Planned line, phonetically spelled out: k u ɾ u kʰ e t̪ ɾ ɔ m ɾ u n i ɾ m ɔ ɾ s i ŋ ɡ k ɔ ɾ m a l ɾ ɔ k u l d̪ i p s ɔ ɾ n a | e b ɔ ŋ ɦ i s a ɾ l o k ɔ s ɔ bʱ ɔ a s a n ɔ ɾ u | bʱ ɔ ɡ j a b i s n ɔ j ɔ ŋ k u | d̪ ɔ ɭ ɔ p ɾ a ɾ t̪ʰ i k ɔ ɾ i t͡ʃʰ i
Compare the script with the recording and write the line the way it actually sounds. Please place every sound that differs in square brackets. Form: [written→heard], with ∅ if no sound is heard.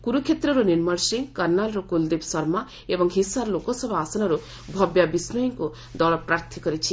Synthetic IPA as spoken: k u ɾ u kʰ e t̪ ɾ ɔ [m→∅] ɾ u n i ɾ m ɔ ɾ s i ŋ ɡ k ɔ ɾ [m→n] a l ɾ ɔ k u l d̪ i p s ɔ ɾ [n→m] a | e b ɔ ŋ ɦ i s a ɾ l o k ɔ s ɔ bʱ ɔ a s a n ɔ ɾ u | bʱ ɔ [ɡ→b] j a b i s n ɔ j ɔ ŋ k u | d̪ ɔ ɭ ɔ p ɾ a ɾ t̪ʰ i k ɔ ɾ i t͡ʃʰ i